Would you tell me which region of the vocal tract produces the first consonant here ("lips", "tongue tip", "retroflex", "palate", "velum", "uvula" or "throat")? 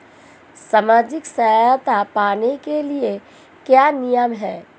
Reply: tongue tip